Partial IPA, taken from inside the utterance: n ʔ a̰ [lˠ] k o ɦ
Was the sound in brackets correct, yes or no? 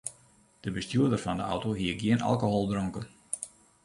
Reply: yes